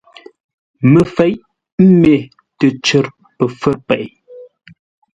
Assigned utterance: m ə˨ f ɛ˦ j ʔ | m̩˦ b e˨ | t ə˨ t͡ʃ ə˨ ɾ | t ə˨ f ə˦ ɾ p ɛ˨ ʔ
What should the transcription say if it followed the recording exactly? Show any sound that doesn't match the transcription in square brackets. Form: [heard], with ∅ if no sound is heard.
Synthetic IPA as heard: m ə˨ f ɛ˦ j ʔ | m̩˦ [m] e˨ | t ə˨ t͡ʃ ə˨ ɾ | [p] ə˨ f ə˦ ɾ p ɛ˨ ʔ